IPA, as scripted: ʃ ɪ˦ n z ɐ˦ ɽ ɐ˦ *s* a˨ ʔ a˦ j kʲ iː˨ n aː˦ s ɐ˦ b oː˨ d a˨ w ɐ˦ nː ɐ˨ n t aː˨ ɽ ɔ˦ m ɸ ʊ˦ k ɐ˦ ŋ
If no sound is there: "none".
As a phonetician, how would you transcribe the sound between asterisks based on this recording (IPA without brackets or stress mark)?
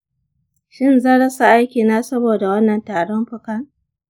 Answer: s